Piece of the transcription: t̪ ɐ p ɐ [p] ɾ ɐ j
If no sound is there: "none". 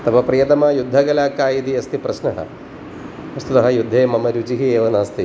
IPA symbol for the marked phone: p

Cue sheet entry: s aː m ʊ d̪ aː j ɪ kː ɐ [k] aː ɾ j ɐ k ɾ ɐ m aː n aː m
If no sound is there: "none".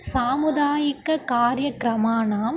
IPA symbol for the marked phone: k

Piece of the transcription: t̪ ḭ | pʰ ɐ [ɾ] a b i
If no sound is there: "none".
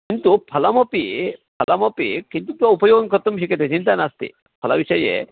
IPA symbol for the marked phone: l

